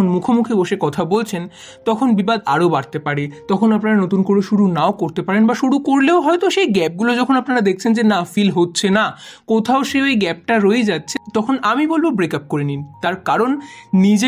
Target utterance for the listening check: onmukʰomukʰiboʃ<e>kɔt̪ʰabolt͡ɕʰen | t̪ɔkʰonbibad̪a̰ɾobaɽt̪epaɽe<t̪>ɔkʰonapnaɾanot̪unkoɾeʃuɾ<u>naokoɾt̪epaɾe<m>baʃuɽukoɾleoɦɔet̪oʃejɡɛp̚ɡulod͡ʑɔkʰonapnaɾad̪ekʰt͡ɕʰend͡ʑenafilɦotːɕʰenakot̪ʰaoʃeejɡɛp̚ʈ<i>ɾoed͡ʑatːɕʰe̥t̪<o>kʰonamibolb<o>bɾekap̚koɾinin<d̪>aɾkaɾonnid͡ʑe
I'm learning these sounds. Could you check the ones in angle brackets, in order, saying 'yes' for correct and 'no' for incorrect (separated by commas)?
yes, yes, yes, no, no, no, yes, no